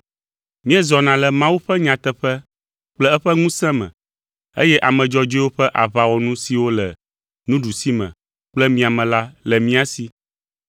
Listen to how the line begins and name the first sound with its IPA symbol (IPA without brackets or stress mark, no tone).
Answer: m